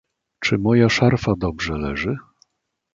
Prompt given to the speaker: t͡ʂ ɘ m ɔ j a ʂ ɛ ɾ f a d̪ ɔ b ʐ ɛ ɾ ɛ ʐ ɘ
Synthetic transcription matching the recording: t͡ʂ ɘ m ɔ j a ʂ a ɾ f a d̪ ɔ b ʐ ɛ l ɛ ʐ ɘ